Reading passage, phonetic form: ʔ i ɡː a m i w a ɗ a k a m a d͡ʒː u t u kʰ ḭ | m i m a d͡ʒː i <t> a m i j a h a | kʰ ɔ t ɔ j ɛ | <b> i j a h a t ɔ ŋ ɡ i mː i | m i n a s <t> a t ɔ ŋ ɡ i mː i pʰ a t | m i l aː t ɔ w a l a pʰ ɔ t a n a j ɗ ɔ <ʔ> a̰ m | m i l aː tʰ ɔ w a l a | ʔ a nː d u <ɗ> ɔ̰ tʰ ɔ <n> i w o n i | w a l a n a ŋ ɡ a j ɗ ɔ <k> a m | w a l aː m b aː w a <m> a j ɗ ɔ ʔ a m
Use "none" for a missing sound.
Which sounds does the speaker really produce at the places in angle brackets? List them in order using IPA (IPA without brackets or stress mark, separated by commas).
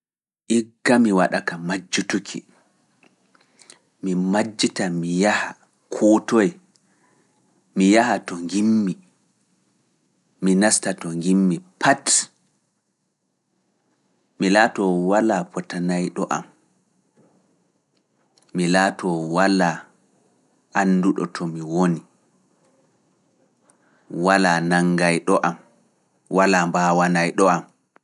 t, m, t, ʔ, ɗ, m, ʔ, n